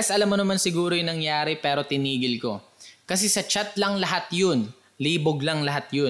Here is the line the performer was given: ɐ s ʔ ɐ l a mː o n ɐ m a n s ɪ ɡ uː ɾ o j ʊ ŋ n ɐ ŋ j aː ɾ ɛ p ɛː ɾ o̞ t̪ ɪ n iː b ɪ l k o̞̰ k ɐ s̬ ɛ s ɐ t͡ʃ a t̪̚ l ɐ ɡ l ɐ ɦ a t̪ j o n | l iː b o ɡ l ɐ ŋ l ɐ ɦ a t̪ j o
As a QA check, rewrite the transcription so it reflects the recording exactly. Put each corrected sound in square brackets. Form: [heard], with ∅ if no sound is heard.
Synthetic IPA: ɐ s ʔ ɐ l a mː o n ɐ m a n s ɪ ɡ uː ɾ o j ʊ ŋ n ɐ ŋ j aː ɾ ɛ p ɛː ɾ o̞ t̪ ɪ n iː [ɡ] ɪ l k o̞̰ k ɐ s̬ ɛ s ɐ t͡ʃ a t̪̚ l ɐ [ŋ] l ɐ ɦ a t̪ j o n | l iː b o ɡ l ɐ ŋ l ɐ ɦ a t̪ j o